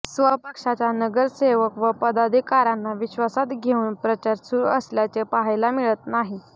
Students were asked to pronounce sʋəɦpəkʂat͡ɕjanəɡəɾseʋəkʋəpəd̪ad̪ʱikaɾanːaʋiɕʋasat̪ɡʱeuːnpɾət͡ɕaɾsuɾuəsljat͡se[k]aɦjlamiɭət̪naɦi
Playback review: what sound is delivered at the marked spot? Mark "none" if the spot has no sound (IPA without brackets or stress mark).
p